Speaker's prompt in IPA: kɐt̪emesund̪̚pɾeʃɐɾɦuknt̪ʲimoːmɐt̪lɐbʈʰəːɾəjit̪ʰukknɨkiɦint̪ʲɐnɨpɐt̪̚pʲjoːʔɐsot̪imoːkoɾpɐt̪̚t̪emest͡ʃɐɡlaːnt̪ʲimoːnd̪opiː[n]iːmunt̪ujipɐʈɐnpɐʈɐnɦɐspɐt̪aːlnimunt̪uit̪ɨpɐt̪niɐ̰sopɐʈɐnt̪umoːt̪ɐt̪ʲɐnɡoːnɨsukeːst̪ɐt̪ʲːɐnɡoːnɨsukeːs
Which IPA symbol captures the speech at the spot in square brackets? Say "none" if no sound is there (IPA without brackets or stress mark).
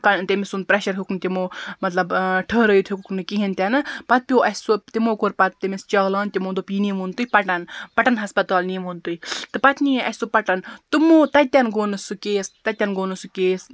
n